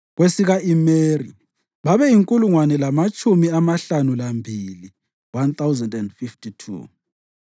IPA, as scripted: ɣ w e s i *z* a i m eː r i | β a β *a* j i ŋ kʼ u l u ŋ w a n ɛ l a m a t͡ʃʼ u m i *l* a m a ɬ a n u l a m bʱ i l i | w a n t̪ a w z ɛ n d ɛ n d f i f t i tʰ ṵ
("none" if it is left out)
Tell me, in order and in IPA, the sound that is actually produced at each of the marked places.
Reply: ɣ, ɛ, none

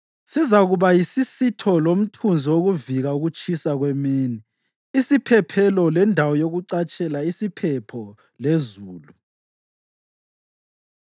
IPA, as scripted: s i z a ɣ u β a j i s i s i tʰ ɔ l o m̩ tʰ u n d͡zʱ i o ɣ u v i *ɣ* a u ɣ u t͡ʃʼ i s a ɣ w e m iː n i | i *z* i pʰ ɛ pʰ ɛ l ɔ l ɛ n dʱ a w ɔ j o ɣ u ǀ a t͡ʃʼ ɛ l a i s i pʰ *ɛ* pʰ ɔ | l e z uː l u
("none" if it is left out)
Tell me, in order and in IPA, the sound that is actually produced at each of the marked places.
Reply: ɣ, s, ɛ

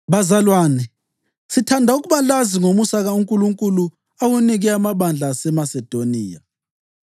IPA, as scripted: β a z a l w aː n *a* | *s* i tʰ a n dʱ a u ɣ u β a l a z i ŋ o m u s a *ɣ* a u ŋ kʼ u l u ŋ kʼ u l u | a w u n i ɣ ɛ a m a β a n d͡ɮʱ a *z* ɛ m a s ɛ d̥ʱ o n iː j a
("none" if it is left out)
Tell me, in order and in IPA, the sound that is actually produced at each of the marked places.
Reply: ɛ, s, ɣ, s

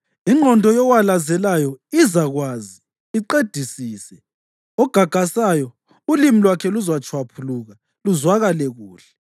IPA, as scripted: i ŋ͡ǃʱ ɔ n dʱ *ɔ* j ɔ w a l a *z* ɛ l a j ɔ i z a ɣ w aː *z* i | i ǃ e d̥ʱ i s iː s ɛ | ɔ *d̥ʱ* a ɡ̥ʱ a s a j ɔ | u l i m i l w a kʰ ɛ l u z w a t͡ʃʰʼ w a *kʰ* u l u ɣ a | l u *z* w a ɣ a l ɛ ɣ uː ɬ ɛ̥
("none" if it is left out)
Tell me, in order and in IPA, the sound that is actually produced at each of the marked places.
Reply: ɔ, z, z, ɡ̥ʱ, pʰ, z

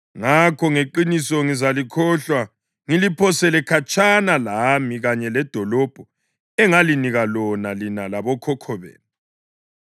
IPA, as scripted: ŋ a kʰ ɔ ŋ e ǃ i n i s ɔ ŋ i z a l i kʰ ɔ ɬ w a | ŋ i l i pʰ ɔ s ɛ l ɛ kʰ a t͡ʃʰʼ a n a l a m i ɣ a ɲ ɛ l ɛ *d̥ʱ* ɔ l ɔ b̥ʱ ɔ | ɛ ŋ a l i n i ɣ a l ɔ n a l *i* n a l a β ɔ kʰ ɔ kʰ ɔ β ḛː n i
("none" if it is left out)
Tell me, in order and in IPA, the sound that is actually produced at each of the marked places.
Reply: d̥ʱ, i

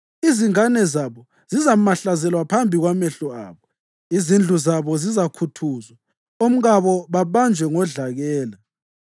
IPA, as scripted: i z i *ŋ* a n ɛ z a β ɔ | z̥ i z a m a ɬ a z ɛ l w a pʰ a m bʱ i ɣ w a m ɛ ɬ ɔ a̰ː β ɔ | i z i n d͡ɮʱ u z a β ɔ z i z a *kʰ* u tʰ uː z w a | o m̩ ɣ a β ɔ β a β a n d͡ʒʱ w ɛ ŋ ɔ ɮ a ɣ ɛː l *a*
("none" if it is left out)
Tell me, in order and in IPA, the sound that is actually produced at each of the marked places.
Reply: ŋ, kʰ, a

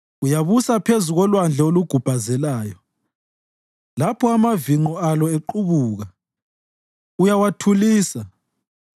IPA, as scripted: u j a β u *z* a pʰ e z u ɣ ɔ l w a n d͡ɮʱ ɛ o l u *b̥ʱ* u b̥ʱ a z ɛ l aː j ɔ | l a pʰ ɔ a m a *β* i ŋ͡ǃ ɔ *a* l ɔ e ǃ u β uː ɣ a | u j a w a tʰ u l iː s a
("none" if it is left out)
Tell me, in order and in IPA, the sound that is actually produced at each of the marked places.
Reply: s, ɡ̥ʱ, v, a

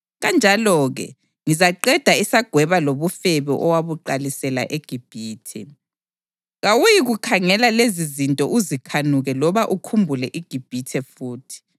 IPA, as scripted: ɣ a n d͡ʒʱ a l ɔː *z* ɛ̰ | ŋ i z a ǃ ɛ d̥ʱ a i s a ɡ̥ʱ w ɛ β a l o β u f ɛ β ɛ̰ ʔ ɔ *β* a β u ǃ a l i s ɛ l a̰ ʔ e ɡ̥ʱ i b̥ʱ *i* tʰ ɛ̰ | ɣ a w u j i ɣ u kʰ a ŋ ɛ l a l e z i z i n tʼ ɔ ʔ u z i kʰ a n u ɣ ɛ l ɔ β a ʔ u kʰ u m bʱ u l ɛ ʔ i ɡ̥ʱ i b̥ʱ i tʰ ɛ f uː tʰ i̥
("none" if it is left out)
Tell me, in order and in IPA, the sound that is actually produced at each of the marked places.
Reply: ɣ, w, iː

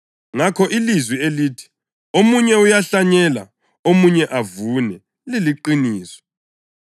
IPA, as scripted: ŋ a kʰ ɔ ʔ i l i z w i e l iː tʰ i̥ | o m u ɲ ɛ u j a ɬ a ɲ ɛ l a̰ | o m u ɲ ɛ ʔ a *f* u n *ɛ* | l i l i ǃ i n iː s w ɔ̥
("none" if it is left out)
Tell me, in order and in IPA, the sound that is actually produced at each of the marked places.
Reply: v, ɛ

